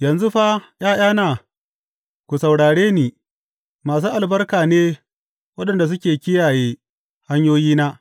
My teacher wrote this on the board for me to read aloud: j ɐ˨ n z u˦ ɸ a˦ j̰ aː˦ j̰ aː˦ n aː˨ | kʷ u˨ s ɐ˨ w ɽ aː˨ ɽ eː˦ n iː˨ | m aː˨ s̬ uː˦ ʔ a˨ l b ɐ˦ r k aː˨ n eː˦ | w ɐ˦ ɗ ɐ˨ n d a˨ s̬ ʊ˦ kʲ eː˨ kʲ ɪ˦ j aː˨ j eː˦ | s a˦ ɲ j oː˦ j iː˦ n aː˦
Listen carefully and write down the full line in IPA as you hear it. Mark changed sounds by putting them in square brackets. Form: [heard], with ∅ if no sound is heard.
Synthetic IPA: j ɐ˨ n z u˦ ɸ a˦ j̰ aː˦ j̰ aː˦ n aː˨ | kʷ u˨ s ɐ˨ w ɽ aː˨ ɽ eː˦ n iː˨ | m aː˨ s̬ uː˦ ʔ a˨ l b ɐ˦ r k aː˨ n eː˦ | w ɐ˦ ɗ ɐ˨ n d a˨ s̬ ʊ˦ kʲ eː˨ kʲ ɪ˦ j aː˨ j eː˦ | [h] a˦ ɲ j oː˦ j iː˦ n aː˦